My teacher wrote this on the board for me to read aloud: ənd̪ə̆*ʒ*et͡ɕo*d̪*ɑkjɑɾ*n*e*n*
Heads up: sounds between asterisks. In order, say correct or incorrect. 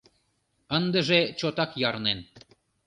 correct, incorrect: t̪, correct, correct

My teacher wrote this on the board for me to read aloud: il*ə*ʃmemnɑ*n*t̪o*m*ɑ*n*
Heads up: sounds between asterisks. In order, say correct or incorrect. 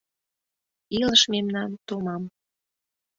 correct, correct, correct, incorrect: m

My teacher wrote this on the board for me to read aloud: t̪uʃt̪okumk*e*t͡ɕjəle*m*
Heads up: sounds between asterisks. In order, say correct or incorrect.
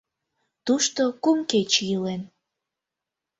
correct, incorrect: n

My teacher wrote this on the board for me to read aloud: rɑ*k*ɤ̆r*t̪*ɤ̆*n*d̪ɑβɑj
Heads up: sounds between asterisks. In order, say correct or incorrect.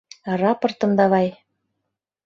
incorrect: p, correct, incorrect: m

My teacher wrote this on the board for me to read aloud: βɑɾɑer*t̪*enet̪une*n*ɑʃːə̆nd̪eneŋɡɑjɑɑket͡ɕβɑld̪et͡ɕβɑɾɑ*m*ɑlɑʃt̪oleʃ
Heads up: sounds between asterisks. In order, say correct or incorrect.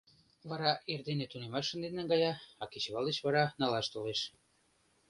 incorrect: d̪, incorrect: m, incorrect: n

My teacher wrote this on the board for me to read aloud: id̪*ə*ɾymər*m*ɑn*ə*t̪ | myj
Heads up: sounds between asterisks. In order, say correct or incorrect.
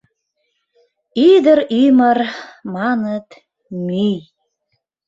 correct, correct, correct

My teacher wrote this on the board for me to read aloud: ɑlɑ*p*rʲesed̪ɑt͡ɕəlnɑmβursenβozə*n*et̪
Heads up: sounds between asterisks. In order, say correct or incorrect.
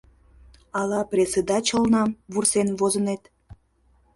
correct, correct

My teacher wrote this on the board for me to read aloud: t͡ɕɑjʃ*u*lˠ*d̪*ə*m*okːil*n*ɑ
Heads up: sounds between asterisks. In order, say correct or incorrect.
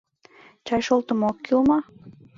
incorrect: o, incorrect: t̪, correct, incorrect: m

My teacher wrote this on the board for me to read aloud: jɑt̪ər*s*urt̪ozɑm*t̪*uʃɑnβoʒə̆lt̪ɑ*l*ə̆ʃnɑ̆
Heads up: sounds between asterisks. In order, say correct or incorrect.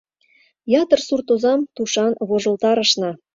correct, correct, incorrect: ɾ

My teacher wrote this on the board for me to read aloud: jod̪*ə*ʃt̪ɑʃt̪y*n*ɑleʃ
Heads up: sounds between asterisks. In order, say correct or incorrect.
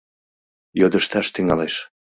correct, incorrect: ŋ

